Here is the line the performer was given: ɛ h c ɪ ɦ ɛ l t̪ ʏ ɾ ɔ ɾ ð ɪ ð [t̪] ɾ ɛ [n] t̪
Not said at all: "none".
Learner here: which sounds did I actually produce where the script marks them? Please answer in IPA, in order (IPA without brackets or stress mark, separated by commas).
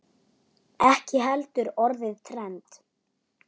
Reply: t̪ʰ, n